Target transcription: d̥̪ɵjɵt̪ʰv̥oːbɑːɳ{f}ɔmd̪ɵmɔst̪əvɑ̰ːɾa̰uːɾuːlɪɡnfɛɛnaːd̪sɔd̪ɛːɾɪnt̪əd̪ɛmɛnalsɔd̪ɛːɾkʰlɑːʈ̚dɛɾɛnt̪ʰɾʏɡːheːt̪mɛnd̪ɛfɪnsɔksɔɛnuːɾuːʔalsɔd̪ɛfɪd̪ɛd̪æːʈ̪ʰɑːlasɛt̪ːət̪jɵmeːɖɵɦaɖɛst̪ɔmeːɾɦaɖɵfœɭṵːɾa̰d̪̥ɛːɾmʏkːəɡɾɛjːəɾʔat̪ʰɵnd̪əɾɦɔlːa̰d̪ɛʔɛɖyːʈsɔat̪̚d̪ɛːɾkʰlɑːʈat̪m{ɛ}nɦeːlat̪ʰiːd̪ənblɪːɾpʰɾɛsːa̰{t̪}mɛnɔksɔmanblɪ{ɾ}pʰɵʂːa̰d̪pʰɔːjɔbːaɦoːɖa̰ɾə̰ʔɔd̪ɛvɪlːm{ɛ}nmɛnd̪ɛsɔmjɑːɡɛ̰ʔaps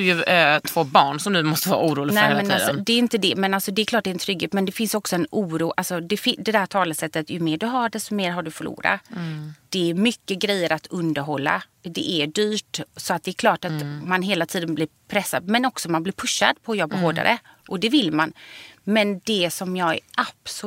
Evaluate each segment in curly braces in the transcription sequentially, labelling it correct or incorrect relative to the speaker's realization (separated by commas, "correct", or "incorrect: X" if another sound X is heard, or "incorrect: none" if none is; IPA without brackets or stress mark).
incorrect: s, incorrect: a, incorrect: d̪, correct, incorrect: a